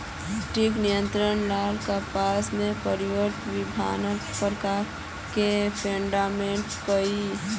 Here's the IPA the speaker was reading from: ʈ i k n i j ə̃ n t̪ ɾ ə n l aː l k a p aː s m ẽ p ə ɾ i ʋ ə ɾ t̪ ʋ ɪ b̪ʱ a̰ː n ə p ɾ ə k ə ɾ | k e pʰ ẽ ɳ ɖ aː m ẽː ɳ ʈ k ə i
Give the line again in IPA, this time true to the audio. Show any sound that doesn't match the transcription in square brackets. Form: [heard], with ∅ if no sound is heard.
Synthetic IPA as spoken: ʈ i k n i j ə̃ n t̪ ɾ ə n l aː l k a p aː s m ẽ p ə ɾ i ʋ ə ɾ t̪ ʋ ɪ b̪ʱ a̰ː n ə p ɾ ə k [a] ɾ | k e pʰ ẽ ɳ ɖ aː m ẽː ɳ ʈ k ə i